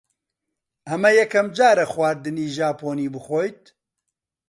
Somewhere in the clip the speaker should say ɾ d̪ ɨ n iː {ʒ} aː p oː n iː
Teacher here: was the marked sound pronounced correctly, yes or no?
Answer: yes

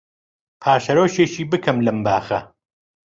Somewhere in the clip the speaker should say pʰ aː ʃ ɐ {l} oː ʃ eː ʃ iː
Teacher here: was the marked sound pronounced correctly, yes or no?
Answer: no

